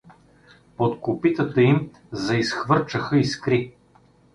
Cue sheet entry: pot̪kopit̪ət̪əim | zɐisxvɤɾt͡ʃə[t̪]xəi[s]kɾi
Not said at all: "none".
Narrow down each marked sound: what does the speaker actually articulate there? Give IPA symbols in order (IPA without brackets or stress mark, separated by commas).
none, s